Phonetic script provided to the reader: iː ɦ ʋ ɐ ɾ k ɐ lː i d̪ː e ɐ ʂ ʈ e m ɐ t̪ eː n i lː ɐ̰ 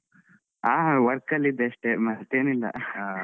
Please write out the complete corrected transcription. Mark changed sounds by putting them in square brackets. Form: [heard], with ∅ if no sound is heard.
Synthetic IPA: [aː] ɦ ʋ ɐ ɾ k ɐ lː i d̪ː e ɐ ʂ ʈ e m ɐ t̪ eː n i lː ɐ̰

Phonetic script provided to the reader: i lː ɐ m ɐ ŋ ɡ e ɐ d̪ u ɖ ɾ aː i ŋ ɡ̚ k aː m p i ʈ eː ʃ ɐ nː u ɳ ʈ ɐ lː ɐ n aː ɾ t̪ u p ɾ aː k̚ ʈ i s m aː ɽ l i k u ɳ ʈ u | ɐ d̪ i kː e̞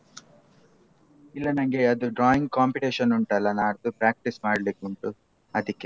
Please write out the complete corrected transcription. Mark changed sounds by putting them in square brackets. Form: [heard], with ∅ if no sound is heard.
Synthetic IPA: i lː ɐ [n] ɐ ŋ ɡ e ɐ d̪ u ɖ ɾ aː i ŋ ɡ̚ k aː m p i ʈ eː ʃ ɐ [n] u ɳ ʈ ɐ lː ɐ n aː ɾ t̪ u p ɾ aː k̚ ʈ i s m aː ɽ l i k u ɳ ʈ u | ɐ d̪ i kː e̞

